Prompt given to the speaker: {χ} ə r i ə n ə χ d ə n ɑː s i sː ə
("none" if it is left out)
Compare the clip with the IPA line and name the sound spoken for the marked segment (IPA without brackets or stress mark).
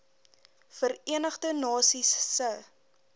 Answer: f